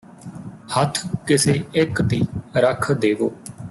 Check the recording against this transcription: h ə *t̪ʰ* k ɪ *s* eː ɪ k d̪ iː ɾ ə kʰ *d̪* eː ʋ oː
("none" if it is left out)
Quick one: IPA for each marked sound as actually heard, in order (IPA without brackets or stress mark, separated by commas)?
t̪ʰ, s, d̪